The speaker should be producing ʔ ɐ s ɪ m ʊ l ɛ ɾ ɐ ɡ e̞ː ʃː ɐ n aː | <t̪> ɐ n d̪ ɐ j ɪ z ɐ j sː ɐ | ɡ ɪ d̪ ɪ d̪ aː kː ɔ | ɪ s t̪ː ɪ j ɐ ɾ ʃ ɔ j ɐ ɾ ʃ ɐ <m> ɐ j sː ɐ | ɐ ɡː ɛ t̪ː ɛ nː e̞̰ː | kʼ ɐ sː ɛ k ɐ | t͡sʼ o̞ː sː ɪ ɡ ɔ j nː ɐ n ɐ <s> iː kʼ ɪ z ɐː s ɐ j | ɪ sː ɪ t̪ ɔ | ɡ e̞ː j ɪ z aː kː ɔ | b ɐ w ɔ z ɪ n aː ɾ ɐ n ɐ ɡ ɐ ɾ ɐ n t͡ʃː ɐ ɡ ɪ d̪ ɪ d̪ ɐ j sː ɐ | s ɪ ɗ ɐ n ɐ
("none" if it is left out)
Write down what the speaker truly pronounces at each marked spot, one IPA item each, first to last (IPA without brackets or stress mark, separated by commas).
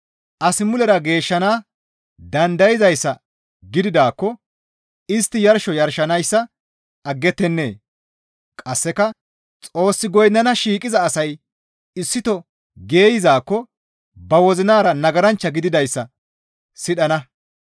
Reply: d̪, n, ʃ